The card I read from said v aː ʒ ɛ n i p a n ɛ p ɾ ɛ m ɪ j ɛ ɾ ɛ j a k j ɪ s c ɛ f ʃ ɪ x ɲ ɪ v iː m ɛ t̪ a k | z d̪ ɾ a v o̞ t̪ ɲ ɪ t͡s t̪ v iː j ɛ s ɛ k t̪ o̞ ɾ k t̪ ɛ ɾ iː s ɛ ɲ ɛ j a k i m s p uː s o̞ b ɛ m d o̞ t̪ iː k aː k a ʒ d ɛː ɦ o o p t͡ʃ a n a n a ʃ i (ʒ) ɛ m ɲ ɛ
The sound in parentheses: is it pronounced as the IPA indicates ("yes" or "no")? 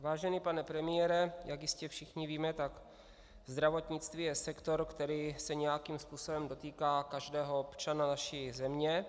no